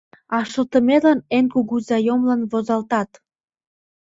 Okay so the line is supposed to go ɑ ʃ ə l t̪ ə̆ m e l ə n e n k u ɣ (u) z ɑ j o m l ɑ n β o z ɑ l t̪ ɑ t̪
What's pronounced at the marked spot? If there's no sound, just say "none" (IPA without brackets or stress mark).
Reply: u